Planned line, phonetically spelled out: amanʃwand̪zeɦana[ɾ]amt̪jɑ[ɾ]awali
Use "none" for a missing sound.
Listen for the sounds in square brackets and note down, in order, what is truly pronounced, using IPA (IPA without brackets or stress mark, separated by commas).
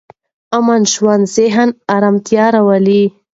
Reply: ɾ, ɾ